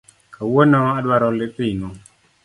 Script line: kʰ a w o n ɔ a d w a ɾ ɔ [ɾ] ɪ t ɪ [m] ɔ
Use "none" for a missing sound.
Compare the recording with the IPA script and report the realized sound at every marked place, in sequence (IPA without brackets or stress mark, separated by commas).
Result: l, n